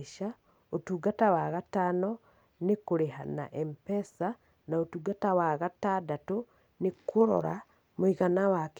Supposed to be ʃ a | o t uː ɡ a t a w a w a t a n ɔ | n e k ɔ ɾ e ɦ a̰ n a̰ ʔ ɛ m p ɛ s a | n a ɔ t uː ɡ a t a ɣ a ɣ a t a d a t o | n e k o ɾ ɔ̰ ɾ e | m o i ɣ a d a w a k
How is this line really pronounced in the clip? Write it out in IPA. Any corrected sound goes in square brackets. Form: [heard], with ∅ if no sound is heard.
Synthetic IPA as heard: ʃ a | o t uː ɡ a t a w a [ɣ] a t a n ɔ | n e k [o] ɾ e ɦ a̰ n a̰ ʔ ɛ m p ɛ s a | n a [o] t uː ɡ a t a [w] a ɣ a t a d a t o | n e k o ɾ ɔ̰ ɾ [a] | m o i ɣ a [n] a w a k

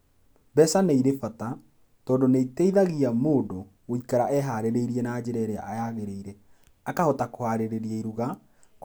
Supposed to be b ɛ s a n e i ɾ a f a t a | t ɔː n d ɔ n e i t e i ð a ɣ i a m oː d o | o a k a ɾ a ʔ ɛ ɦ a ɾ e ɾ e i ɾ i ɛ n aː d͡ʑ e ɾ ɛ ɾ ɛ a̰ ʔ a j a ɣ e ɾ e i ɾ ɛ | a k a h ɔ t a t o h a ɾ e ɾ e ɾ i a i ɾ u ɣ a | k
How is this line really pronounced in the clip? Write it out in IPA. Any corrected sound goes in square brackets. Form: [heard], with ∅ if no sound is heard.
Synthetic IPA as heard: b ɛ s a n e i ɾ [e] f a t a | t ɔː n d [o] n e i t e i ð a ɣ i a m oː d o | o [i] k a ɾ a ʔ ɛ ɦ a ɾ e ɾ e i ɾ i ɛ n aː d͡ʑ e ɾ ɛ ɾ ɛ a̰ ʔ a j a ɣ e ɾ e i ɾ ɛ | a k a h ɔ t a [k] o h a ɾ e ɾ e ɾ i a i ɾ u ɣ a | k

